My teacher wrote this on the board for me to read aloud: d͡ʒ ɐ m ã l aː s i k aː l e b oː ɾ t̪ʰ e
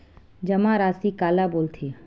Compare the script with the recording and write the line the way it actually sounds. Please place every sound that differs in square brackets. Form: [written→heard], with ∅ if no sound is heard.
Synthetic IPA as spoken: d͡ʒ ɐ m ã [l→ɾ] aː s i k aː l [e→a] b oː [ɾ→l] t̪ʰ e